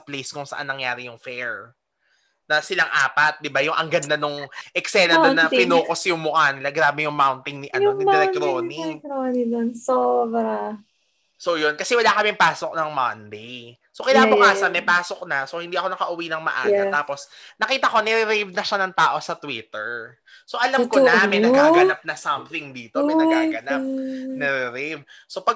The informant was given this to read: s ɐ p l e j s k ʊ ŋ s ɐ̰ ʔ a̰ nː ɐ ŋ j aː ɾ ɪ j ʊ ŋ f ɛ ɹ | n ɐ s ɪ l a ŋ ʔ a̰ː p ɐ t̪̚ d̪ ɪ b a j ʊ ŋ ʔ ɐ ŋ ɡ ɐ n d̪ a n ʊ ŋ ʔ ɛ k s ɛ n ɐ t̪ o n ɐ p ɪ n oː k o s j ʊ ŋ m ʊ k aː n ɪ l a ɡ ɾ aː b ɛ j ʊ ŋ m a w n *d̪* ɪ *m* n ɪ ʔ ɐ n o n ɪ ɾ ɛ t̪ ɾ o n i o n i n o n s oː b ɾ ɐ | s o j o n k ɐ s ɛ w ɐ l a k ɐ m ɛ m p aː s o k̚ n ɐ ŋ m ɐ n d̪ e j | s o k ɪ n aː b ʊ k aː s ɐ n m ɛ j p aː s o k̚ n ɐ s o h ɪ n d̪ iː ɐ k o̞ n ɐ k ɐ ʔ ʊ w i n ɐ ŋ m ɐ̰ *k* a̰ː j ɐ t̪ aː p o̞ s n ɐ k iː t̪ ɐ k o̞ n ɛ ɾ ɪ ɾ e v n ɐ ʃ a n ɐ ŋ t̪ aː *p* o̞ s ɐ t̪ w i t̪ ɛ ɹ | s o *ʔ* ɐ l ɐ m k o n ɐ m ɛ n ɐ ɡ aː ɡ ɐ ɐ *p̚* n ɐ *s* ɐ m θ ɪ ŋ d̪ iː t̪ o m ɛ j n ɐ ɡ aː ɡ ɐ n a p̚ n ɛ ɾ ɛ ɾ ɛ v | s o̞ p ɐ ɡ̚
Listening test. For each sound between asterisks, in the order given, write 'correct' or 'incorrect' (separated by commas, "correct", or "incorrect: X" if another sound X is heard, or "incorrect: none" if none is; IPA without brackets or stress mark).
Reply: incorrect: t̪, incorrect: ŋ, incorrect: ʔ, incorrect: ʔ, correct, correct, correct